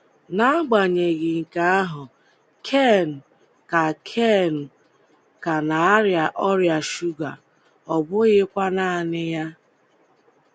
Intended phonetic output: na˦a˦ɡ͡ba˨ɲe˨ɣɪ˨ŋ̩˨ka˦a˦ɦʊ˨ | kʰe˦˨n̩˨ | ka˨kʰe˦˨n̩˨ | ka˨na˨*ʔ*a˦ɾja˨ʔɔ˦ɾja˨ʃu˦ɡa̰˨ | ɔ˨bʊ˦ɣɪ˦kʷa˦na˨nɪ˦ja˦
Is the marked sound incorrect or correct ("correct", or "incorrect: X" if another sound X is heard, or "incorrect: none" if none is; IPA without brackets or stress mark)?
incorrect: none